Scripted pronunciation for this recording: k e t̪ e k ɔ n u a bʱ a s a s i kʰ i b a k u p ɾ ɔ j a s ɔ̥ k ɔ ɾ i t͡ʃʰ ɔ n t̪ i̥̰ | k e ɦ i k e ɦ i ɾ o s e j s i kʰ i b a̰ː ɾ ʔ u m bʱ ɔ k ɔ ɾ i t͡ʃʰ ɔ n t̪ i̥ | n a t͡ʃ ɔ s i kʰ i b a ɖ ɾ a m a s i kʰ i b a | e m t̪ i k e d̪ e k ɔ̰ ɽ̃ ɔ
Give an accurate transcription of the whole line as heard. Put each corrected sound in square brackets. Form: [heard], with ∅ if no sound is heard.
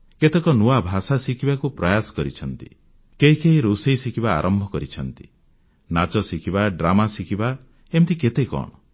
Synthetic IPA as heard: k e t̪ e k ɔ n u a bʱ a s a s i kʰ i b a k u p ɾ ɔ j a s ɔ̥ k ɔ ɾ i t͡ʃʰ ɔ n t̪ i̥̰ | k e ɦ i k e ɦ i ɾ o s e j s i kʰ i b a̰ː ɾ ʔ [ɔ] m bʱ ɔ k ɔ ɾ i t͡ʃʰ ɔ n t̪ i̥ | n a t͡ʃ ɔ s i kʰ i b a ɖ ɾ a m a s i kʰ i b a | e m t̪ i k e [t̪] e k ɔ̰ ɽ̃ ɔ